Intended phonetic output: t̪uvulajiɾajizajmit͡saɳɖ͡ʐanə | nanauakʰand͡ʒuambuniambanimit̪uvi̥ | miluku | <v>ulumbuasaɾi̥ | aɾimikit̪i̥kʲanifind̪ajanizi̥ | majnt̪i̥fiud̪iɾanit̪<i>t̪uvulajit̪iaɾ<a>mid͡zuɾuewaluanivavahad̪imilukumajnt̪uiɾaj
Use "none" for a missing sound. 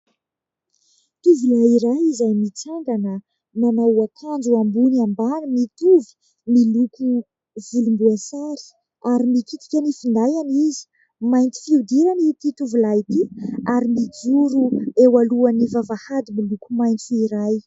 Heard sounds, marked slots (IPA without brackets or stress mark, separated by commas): v, i, i